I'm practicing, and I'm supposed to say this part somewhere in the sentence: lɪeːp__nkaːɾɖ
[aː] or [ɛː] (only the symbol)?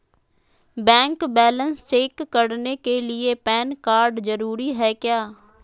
ɛː